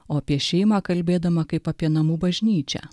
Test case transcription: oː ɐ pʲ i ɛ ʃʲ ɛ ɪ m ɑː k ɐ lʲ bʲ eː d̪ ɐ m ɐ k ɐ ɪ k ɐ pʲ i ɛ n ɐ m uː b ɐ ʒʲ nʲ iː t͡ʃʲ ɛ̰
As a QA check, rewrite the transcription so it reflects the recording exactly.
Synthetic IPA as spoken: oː ɐ pʲ i ɛ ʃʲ ɛ ɪ m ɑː k ɐ lʲ bʲ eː d̪ ɐ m ɐ k ɐ ɪ p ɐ pʲ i ɛ n ɐ m uː b ɐ ʒʲ nʲ iː t͡ʃʲ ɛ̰